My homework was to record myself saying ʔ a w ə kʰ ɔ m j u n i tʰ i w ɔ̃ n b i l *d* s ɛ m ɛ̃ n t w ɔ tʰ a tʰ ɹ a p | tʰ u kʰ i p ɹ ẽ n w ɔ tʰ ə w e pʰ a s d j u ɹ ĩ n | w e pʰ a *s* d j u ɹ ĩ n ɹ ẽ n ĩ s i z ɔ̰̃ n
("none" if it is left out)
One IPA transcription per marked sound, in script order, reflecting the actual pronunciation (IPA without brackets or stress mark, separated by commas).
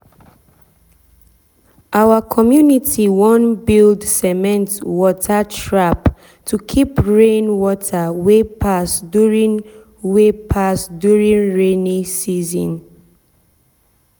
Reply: d, s